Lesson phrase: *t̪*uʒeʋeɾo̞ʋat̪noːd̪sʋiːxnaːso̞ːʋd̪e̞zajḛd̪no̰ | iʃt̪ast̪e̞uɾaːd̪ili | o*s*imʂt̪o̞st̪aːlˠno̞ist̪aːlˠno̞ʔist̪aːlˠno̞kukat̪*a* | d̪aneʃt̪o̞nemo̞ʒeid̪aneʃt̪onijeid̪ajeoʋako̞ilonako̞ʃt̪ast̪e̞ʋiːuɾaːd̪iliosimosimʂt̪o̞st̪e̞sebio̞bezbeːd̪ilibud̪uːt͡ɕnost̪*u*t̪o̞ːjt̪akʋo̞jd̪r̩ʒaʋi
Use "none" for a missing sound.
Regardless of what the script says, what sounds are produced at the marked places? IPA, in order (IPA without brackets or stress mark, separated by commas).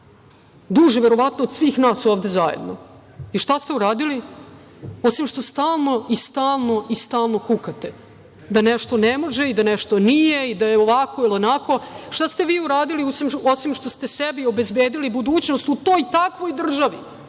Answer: d̪, s, e, u